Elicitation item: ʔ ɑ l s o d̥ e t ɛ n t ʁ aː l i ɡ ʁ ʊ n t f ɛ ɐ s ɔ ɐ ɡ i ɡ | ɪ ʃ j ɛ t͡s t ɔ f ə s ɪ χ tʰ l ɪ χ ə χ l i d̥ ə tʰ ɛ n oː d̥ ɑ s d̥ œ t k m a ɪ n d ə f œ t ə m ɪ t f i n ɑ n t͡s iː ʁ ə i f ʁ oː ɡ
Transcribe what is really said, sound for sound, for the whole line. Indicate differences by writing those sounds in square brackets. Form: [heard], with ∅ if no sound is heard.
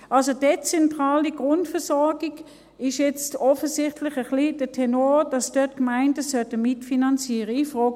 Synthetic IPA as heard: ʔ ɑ l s o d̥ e [t͡s] ɛ n t ʁ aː l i ɡ ʁ ʊ n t f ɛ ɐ s ɔ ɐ ɡ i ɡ | ɪ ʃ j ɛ t͡s t ɔ f ə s ɪ χ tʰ l ɪ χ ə χ l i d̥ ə tʰ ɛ n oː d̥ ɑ s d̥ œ t k m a ɪ n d ə [s] œ t ə m ɪ t f i n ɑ n t͡s iː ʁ ə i f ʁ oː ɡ